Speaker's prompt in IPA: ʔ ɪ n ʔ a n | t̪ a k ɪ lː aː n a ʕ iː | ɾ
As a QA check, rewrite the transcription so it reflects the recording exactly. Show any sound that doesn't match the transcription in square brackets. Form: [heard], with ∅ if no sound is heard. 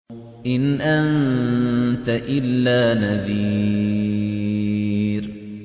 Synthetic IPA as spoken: ʔ ɪ n ʔ a n | t̪ a [ʔ] ɪ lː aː n a [ð] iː | ɾ